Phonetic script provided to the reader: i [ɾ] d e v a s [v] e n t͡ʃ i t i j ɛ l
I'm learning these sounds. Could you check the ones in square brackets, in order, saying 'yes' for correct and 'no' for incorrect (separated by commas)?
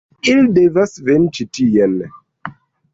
no, yes